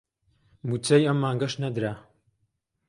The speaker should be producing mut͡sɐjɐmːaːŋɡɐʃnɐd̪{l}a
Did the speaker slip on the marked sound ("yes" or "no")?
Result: yes